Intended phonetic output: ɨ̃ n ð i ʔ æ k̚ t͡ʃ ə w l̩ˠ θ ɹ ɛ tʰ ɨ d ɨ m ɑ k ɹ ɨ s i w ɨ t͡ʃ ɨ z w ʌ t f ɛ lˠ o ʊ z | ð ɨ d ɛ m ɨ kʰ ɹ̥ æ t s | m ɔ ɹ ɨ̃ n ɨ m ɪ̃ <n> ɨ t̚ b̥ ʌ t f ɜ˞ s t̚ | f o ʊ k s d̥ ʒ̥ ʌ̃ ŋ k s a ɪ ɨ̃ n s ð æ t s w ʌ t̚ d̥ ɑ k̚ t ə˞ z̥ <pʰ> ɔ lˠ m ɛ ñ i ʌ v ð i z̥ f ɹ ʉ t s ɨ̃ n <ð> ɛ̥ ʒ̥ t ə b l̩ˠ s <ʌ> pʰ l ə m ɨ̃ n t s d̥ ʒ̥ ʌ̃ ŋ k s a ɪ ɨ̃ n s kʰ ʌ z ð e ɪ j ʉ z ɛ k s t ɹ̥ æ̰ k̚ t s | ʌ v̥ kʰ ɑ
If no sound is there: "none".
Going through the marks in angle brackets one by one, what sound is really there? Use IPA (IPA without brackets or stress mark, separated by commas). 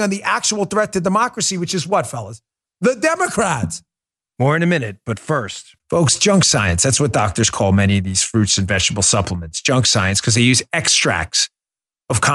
n, kʰ, v, ʌ